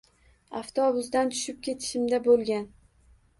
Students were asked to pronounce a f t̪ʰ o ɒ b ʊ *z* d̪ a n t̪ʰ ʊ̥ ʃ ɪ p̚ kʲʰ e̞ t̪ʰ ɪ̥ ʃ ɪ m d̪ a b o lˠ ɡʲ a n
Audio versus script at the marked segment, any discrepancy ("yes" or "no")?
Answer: no